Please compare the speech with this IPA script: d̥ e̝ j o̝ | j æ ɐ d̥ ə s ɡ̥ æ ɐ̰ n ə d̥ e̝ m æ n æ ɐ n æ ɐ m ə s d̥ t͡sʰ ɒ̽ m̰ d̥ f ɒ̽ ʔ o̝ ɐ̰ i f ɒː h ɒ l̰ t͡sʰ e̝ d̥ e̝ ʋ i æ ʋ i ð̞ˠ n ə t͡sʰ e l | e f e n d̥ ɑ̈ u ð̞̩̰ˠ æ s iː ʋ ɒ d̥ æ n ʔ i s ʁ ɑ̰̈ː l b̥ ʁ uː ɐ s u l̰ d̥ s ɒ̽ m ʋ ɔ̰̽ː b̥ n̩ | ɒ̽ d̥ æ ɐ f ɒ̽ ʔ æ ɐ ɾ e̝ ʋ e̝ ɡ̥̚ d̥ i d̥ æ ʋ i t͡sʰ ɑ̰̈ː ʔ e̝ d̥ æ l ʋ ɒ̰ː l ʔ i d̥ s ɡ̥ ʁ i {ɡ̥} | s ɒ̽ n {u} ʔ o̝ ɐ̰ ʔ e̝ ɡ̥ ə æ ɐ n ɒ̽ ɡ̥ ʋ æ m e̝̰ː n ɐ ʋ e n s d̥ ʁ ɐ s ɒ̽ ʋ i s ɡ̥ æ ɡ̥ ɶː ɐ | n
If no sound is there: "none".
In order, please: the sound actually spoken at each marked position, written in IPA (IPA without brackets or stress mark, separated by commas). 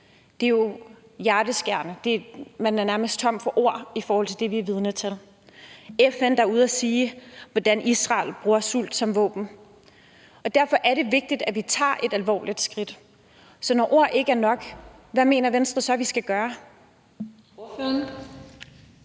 d̥, ɒ